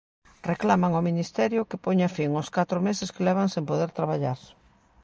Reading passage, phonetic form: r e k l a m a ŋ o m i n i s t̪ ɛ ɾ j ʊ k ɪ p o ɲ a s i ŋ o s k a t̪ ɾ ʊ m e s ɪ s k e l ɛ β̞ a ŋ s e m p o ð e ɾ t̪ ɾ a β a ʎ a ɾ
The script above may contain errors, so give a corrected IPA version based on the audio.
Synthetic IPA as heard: r e k l a m a ŋ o m i n i s t̪ ɛ ɾ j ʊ k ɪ p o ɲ a f i ŋ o s k a t̪ ɾ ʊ m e s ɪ s k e l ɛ β̞ a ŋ s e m p o ð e ɾ t̪ ɾ a β a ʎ a ɾ